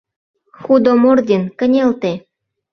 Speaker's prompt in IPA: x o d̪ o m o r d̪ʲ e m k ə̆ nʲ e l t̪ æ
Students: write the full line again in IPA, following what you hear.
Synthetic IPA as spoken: x u d̪ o m o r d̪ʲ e n k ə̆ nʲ e l t̪ e